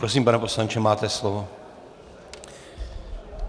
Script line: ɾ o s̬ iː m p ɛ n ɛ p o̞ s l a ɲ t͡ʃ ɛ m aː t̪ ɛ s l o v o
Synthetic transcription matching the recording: ɾ o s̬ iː m p a n ɛ p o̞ s l a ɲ t͡ʃ ɛ m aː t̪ ɛ s l o v o